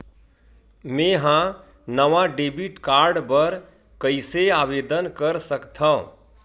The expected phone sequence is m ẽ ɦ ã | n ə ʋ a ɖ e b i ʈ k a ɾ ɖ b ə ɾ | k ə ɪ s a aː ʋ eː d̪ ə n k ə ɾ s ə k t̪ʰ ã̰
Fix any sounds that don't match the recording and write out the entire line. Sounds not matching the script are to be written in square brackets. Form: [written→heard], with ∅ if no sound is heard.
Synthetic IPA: m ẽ ɦ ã | n ə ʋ a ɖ e b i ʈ k a ɾ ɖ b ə ɾ | k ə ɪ s [a→e] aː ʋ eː d̪ ə n k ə ɾ s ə k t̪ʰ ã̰